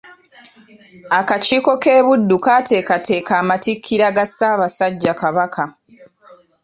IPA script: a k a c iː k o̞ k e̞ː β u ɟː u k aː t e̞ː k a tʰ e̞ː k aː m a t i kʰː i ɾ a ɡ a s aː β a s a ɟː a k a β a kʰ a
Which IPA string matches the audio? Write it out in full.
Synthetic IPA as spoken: a k a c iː k o̞ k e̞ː β u dː u k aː t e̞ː k a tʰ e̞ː k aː m a t i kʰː i ɾ a ɡ a s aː β a s a ɟː a k a β a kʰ a